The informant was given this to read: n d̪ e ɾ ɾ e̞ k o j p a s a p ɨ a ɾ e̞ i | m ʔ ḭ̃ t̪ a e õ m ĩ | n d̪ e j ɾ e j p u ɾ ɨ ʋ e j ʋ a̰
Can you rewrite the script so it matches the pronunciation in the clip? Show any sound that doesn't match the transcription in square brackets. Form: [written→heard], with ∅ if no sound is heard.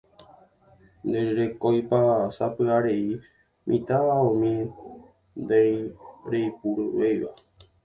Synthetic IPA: n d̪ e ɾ ɾ e̞ k o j p a s a p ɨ a ɾ e̞ i | m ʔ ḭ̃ t̪ a [e→a] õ m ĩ | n d̪ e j ɾ e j p u ɾ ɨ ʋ e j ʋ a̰